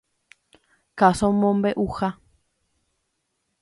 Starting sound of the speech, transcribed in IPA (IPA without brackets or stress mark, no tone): k